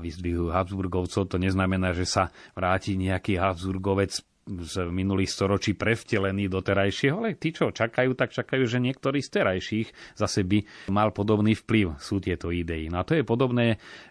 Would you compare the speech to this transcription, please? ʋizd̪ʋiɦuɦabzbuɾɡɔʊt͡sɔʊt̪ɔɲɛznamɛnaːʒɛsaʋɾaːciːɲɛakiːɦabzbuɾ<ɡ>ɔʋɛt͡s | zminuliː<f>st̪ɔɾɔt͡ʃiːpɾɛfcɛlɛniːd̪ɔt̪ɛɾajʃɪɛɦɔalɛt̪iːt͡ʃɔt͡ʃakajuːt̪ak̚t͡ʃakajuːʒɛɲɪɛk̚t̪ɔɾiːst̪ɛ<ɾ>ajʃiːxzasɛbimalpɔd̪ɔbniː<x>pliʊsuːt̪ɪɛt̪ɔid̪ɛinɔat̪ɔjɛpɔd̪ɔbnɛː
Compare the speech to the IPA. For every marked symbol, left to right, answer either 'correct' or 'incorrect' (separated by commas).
correct, incorrect, correct, incorrect